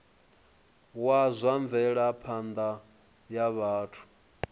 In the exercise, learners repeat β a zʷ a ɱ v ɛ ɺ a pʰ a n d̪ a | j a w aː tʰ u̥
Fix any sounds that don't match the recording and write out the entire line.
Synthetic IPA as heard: w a zʷ a ɱ v ɛ ɺ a pʰ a n d̪ a | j a β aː tʰ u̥